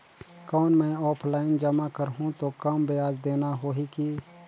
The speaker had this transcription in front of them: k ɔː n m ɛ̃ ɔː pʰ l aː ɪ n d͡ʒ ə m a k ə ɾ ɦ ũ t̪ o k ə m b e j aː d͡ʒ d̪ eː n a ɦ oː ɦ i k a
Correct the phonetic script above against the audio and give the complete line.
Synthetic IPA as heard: k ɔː n m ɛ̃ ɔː pʰ l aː ɪ n d͡ʒ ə m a k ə ɾ ɦ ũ t̪ o k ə m b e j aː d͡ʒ d̪ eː n a ɦ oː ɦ i k i